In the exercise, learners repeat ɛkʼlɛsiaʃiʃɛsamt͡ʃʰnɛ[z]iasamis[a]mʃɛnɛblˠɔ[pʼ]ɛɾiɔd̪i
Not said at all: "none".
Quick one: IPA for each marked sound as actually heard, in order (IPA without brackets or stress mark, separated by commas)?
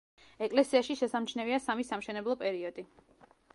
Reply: v, a, pʼ